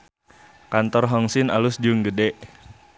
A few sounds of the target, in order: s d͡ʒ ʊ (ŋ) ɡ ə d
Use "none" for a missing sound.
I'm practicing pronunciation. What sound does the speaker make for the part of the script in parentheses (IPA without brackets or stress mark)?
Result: ŋ